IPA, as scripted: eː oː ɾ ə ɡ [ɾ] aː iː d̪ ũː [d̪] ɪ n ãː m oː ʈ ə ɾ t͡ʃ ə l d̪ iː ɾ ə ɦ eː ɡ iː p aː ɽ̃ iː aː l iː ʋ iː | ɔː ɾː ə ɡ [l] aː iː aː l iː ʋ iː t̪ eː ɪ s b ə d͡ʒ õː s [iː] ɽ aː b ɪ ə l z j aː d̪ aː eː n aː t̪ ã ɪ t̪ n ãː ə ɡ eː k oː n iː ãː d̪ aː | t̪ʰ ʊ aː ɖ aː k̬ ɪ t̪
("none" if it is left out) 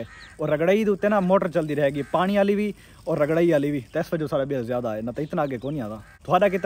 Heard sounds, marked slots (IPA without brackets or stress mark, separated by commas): ɽ, t̪, ɽ, aː